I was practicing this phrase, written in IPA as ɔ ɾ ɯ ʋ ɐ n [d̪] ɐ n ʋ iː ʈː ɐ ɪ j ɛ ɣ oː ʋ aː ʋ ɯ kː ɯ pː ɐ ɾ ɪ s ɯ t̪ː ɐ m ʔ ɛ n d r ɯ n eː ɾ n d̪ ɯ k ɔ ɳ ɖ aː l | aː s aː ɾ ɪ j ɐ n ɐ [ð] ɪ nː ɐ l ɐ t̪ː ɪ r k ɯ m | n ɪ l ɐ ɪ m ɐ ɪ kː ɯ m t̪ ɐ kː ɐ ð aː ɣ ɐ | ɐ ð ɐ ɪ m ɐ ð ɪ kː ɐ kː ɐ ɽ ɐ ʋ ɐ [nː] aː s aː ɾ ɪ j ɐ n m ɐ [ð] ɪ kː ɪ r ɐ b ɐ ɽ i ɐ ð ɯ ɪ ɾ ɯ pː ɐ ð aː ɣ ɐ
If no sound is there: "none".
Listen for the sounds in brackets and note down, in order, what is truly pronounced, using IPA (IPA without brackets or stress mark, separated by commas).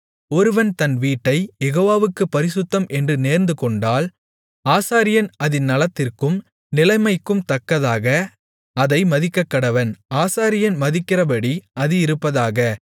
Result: t̪, ð, n, ð